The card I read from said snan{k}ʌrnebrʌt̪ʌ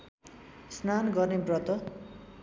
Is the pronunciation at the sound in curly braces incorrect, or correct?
incorrect: ɡ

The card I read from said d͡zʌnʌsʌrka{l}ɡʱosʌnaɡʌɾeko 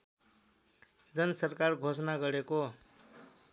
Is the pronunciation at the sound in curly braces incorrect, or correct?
incorrect: r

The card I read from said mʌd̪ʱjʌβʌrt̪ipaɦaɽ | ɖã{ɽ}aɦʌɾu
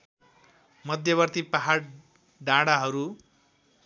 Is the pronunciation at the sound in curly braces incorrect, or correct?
correct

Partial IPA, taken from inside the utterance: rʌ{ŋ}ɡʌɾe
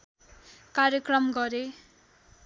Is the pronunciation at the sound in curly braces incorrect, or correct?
incorrect: m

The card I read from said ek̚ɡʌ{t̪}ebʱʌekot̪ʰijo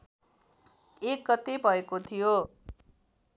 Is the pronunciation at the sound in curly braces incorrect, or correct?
correct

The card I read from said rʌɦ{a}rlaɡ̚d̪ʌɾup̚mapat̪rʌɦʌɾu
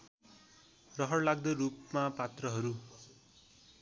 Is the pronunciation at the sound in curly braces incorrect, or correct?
incorrect: ʌ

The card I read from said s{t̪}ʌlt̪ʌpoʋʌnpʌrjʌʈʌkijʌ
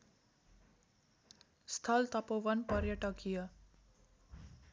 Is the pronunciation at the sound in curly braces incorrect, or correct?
incorrect: t̪ʰ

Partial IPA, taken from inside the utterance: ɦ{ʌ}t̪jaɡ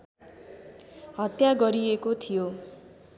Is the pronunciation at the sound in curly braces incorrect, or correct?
correct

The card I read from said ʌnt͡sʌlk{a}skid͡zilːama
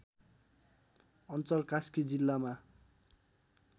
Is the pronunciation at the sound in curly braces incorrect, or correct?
correct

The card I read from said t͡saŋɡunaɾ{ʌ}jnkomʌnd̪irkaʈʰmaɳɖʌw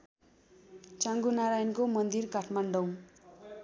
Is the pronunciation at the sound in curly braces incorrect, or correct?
incorrect: a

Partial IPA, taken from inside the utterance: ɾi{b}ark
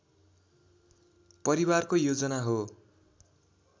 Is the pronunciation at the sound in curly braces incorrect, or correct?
incorrect: w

